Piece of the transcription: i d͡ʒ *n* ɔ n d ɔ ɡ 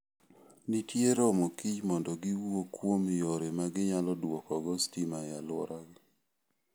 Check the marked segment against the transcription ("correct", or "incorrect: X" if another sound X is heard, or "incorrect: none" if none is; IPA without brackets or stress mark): incorrect: m